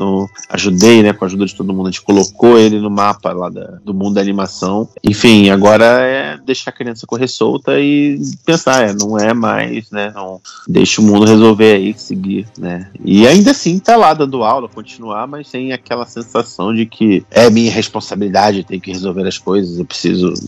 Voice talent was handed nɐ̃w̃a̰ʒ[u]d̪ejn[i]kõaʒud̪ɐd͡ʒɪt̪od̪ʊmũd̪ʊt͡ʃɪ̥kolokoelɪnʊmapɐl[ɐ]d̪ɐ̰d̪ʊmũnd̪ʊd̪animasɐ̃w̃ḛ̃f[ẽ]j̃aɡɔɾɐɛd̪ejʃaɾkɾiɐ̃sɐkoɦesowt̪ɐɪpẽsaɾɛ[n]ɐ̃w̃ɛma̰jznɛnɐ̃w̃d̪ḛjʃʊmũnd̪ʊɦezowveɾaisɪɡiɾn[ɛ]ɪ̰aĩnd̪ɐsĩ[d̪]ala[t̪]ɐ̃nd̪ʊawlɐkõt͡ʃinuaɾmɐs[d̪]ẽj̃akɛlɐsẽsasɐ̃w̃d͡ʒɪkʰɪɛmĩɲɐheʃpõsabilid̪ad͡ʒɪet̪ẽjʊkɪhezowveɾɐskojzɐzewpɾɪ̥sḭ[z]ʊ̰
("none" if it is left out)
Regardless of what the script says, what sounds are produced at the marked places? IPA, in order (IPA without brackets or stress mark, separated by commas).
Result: u, ɛ, a, ĩ, n, ɛ, t̪, d̪, t̪, z